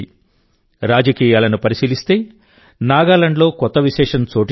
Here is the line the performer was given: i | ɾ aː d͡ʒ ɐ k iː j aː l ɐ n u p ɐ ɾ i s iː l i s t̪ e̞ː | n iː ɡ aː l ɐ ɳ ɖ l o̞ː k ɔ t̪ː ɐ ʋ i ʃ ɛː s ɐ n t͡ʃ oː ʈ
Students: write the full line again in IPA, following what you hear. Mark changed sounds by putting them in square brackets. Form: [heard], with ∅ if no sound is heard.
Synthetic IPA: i | ɾ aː d͡ʒ ɐ k iː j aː l ɐ n u p ɐ ɾ i s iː l i s t̪ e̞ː | n [aː] ɡ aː l ɐ ɳ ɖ l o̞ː k ɔ t̪ː ɐ ʋ i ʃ ɛː [ʂ] ɐ n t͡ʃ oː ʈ